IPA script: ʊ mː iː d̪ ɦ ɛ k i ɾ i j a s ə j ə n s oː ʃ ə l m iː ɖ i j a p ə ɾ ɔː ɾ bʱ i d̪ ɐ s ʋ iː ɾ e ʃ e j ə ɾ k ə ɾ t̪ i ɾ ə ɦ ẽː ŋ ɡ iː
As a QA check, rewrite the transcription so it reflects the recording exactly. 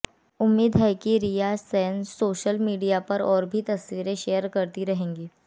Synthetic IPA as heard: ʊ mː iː d̪ ɦ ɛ k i ɾ i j a s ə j ə n s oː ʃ ə l m iː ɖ i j a p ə ɾ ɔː ɾ bʱ i t̪ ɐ s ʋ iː ɾ e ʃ e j ə ɾ k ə ɾ t̪ i ɾ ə ɦ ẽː ŋ ɡ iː